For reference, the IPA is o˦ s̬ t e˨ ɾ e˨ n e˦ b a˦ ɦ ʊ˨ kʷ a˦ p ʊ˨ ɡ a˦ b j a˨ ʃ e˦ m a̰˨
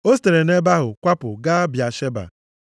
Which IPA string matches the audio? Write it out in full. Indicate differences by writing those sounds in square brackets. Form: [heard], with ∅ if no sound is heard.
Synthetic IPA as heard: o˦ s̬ t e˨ ɾ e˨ n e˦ b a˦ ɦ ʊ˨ kʷ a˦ p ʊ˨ ɡ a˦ b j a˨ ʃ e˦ [b] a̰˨